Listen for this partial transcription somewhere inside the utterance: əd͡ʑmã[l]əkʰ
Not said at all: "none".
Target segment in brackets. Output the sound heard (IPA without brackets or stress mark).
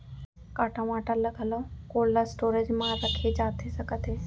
ɾ